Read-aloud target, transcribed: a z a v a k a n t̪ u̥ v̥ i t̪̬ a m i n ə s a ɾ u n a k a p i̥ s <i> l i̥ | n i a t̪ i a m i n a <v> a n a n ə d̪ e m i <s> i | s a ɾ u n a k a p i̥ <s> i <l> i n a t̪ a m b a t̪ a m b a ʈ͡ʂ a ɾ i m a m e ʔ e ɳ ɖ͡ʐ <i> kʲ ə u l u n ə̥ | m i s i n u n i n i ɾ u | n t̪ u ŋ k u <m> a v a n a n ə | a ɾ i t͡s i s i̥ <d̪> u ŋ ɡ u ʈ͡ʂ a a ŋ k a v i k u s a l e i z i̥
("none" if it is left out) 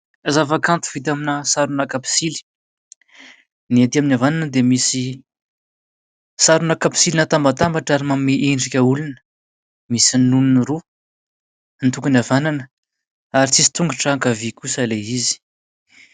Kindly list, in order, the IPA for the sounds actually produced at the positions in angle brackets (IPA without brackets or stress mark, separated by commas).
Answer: i, v, s, s, l, i, n, t̪